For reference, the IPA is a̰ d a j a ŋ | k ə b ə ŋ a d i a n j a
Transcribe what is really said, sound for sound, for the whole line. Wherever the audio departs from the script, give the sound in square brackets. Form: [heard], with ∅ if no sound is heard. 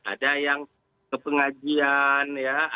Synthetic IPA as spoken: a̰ d a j a ŋ | k ə [p] ə ŋ a [d͡ʒ] i a n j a